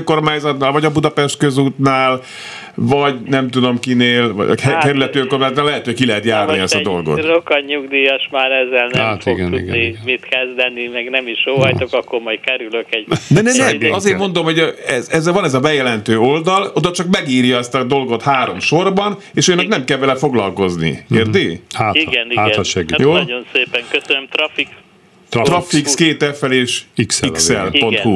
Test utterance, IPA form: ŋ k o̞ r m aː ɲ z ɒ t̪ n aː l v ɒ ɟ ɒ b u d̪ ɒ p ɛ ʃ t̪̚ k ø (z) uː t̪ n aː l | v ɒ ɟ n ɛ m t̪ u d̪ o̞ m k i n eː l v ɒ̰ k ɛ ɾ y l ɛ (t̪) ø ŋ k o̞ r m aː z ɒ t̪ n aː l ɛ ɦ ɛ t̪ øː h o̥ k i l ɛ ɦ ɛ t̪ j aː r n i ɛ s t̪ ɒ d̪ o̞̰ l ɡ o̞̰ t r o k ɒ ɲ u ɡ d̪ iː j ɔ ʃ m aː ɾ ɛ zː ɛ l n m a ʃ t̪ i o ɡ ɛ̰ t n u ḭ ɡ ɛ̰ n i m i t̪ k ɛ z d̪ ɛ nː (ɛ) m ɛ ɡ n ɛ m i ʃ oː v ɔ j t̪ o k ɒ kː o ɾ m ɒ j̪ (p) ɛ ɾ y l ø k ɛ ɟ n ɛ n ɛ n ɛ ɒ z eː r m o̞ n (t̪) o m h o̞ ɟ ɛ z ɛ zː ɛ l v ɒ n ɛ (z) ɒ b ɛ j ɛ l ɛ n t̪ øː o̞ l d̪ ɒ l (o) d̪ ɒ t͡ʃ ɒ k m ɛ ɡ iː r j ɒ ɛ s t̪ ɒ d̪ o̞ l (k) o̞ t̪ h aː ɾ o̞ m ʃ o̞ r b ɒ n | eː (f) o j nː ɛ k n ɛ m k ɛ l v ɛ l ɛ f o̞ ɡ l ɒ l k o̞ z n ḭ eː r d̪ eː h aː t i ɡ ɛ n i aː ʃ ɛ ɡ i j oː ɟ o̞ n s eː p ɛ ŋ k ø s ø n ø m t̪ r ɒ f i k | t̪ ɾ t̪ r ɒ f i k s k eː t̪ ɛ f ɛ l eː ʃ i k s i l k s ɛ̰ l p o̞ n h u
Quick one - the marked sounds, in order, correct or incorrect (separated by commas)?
correct, correct, incorrect, incorrect, incorrect, correct, correct, incorrect, incorrect